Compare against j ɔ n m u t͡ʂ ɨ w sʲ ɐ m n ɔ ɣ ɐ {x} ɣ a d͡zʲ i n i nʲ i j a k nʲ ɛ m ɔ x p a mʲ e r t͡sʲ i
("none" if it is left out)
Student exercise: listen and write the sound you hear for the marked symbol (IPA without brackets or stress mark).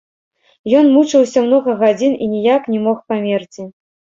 none